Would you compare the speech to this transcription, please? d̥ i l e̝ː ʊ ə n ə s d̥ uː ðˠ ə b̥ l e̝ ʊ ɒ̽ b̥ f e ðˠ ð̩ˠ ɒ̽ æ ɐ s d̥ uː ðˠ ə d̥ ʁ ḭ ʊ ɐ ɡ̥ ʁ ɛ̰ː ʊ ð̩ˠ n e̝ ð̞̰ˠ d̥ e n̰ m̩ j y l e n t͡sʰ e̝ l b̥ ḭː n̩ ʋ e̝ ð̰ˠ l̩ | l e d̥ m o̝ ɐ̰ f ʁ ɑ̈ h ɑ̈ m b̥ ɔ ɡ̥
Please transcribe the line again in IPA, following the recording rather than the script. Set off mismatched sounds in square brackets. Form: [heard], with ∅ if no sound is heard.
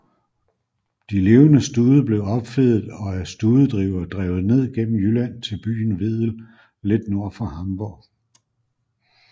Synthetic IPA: d̥ i l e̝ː ʊ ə n ə s d̥ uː ðˠ ə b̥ l e̝ ʊ ɒ̽ b̥ f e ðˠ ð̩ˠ ɒ̽ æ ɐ s d̥ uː ðˠ ə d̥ ʁ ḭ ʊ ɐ [d̥] ʁ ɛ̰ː ʊ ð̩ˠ n e̝ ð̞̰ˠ [ɡ̥] e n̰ m̩ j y l [æ] n t͡sʰ e̝ l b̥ [y̰ː] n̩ ʋ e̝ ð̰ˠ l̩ | l e d̥ [n] o̝ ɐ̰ f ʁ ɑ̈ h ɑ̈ m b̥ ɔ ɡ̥